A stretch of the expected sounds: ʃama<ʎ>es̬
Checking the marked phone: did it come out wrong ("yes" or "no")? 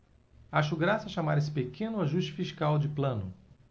yes